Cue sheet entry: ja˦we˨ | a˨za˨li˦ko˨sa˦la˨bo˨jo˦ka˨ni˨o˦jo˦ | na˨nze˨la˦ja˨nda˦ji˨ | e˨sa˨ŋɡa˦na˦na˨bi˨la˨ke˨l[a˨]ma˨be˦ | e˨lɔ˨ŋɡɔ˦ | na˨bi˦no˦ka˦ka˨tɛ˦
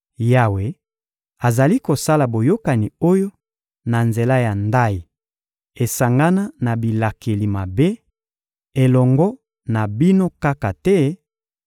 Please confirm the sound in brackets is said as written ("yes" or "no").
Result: no